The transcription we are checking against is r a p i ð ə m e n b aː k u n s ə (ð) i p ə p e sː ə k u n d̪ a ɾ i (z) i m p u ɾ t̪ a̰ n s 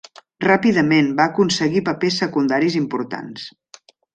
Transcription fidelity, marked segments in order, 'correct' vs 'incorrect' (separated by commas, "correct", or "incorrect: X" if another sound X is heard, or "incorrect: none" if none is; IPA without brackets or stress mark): incorrect: ɣ, correct